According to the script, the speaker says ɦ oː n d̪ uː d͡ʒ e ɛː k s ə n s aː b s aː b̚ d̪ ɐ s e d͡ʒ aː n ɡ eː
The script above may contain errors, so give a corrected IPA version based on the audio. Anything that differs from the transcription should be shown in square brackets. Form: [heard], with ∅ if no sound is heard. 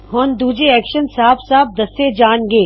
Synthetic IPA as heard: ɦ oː n d̪ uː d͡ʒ e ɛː k [ʃ] ə n s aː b s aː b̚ d̪ ɐ s e d͡ʒ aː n ɡ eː